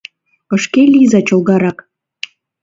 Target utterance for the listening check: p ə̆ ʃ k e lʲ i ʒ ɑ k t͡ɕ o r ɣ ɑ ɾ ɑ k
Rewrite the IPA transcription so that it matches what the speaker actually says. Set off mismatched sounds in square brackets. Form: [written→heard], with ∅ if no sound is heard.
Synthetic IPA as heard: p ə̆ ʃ k e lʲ i [ʒ→z] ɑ [k→∅] t͡ɕ o [r→l] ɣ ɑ ɾ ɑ k